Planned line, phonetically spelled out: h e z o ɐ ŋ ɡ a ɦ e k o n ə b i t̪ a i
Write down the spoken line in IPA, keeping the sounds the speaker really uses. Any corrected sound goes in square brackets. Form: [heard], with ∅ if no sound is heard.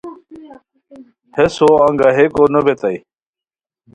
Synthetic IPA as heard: h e [s] o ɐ ŋ ɡ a ɦ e k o n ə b [e] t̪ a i